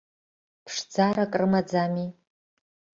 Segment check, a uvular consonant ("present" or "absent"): absent